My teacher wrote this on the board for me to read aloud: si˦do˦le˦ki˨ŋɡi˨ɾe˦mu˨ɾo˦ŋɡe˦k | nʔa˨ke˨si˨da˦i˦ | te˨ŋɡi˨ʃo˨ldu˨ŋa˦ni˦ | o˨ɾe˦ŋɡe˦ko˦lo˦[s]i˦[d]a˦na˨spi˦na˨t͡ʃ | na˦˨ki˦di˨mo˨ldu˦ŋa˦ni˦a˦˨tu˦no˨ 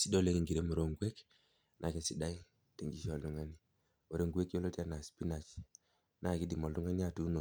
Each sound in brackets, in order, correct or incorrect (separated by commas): incorrect, incorrect